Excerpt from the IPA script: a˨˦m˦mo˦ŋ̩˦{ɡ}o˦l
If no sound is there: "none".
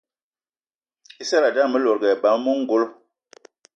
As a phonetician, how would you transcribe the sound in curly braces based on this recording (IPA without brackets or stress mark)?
ɡ